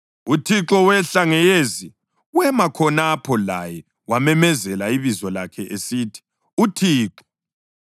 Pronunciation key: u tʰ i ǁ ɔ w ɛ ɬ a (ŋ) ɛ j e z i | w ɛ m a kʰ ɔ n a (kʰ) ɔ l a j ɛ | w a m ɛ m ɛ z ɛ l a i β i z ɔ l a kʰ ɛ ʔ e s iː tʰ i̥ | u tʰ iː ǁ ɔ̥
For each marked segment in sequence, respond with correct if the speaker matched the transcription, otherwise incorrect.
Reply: correct, incorrect: pʰ

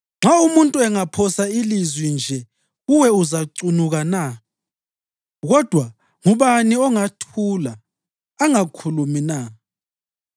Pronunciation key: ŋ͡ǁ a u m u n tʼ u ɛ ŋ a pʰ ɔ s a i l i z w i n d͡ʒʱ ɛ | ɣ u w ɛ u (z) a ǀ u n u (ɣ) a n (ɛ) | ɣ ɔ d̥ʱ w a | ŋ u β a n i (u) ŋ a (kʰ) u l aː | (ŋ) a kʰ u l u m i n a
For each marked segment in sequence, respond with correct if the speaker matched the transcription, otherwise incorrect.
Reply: correct, correct, incorrect: a, incorrect: ɔ, incorrect: tʰ, correct

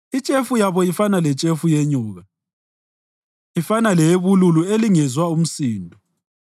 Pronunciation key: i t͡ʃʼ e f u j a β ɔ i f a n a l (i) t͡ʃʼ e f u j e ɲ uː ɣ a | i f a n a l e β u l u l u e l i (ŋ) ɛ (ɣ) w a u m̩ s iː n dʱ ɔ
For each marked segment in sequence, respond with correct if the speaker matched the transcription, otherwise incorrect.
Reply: incorrect: ɛ, correct, incorrect: z

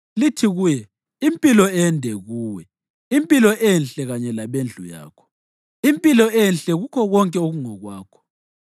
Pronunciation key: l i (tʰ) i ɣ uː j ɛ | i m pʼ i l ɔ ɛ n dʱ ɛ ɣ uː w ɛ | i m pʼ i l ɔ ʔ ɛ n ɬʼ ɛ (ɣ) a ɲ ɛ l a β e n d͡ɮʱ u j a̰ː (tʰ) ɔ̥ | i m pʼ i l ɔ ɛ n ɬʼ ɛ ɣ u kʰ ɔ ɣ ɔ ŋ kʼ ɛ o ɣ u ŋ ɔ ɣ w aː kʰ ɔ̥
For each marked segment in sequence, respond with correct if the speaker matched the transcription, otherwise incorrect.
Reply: correct, correct, incorrect: kʰ

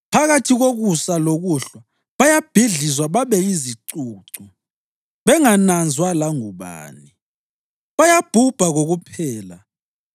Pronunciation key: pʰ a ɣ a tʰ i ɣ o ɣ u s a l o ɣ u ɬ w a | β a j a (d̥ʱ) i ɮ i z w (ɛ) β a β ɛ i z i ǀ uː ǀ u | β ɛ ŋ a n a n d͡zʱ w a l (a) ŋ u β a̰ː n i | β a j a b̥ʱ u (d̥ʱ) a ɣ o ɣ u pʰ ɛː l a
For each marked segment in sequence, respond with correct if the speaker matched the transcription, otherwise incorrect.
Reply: incorrect: b̥ʱ, incorrect: a, correct, incorrect: b̥ʱ

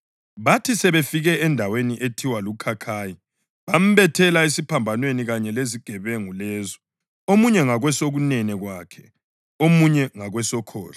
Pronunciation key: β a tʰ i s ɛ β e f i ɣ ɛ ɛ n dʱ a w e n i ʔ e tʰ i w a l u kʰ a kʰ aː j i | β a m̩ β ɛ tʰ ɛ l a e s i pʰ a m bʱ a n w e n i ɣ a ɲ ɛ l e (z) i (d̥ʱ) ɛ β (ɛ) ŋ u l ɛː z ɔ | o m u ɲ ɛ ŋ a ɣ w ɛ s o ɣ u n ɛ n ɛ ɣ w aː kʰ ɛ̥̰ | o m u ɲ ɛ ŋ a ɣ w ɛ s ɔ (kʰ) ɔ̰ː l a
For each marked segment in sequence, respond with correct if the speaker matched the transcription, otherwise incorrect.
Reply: correct, incorrect: ɡ̥ʱ, correct, correct

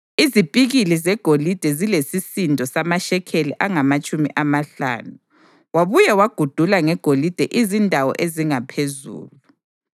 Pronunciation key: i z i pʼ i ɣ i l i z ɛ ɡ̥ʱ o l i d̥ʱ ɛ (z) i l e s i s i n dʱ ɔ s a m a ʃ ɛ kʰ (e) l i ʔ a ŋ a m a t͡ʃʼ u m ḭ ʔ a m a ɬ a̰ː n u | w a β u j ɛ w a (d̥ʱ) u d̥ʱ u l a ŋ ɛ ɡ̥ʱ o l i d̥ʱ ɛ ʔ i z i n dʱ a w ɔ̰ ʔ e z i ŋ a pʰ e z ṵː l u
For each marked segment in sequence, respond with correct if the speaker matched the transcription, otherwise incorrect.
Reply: correct, correct, incorrect: ɡ̥ʱ

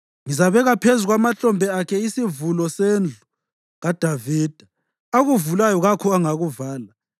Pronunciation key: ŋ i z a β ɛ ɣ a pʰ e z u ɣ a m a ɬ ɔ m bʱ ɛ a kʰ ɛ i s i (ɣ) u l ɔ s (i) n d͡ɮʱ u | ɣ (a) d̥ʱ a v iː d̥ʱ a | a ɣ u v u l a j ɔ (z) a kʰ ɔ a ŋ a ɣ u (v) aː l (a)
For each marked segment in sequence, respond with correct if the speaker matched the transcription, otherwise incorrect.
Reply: incorrect: v, incorrect: e, correct, incorrect: ɣ, correct, correct

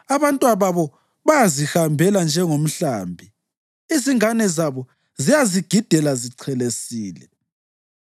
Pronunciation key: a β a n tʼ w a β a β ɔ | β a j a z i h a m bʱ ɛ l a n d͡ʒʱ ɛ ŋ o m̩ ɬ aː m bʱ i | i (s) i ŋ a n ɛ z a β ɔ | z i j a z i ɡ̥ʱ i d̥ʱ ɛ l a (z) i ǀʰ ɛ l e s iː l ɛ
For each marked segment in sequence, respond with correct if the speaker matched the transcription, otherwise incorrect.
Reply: incorrect: z, correct

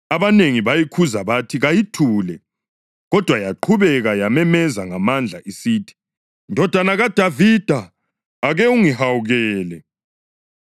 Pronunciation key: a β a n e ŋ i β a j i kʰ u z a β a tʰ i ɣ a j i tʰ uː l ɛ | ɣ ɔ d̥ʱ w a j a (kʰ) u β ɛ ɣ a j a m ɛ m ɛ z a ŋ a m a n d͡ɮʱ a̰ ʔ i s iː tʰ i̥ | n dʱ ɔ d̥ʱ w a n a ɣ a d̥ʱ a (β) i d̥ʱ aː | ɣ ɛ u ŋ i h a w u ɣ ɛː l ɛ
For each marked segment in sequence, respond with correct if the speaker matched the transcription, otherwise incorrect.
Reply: incorrect: ǃʰ, incorrect: v

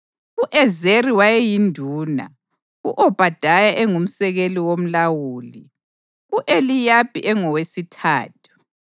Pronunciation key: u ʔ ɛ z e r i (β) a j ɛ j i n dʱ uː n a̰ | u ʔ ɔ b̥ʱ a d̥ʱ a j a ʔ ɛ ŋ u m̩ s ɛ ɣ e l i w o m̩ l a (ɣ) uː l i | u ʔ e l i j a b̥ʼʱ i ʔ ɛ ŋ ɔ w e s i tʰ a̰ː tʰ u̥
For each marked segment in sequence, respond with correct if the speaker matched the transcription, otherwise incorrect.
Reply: incorrect: w, incorrect: w

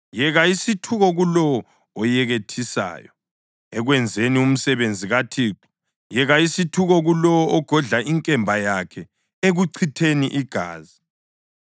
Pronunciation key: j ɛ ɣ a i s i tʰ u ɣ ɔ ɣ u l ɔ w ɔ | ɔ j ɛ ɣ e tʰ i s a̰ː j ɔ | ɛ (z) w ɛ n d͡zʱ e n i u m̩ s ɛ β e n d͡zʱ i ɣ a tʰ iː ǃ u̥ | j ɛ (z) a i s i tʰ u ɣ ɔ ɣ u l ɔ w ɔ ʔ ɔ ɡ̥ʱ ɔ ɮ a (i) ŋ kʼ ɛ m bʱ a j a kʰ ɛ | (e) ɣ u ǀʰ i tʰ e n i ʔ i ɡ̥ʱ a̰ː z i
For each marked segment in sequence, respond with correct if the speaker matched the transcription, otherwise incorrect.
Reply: incorrect: ɣ, incorrect: ɣ, correct, correct

